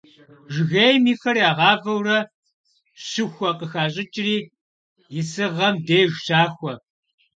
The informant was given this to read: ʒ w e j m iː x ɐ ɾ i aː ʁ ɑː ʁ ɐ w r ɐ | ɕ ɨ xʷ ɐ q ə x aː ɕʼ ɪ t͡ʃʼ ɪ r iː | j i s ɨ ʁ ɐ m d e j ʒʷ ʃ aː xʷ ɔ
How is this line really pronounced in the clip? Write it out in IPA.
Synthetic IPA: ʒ ɣ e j m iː x ɐ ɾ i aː ʁ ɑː v ɐ w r ɐ | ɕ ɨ xʷ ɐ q ə x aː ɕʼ ɪ t͡ʃʼ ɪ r iː | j ɪ s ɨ ʁ ɐ m d e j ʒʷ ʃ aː xʷ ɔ